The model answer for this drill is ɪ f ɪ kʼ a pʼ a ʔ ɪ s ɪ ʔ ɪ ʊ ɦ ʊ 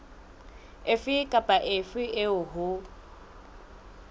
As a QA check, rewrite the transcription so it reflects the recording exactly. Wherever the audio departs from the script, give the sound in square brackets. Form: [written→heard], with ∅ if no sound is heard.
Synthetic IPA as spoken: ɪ f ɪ kʼ a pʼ a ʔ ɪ [s→f] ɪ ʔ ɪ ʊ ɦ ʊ